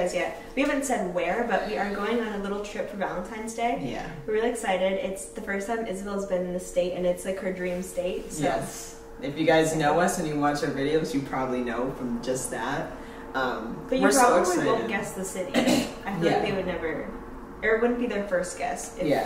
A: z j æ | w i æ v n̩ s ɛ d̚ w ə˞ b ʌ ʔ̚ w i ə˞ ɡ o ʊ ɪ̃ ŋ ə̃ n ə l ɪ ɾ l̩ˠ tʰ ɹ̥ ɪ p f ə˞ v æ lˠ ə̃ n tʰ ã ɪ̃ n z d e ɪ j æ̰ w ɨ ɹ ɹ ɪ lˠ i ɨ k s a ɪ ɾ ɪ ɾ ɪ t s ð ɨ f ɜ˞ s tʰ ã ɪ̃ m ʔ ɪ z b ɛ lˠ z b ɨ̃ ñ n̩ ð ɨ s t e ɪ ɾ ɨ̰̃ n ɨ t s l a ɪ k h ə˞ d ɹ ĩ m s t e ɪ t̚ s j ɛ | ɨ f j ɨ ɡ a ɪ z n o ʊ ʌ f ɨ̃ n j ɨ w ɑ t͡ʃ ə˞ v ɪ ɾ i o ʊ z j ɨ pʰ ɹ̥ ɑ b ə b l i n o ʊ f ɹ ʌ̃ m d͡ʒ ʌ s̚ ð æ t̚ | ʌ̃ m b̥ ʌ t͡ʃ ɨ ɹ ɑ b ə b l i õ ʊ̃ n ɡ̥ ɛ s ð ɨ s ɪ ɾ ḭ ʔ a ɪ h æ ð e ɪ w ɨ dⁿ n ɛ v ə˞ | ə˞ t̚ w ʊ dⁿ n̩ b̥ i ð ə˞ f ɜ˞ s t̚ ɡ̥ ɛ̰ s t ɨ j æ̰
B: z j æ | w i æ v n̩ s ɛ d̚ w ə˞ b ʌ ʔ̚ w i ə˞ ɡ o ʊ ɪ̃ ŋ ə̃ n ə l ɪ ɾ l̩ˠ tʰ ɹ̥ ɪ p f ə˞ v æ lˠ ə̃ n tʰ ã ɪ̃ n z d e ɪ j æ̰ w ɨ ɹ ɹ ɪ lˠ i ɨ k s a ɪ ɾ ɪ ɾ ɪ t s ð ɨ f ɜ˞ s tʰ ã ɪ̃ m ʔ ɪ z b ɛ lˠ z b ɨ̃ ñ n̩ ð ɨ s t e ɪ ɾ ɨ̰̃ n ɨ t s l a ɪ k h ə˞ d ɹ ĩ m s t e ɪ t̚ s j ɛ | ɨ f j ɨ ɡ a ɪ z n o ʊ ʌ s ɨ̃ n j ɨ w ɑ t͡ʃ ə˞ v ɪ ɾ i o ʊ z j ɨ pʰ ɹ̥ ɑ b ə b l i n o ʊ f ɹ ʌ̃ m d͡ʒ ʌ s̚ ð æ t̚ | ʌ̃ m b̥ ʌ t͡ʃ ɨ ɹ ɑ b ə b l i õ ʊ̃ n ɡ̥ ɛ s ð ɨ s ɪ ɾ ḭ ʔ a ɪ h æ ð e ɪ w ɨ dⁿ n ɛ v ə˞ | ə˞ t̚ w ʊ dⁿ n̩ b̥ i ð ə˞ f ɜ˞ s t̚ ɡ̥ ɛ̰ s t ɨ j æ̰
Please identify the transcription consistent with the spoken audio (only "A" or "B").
B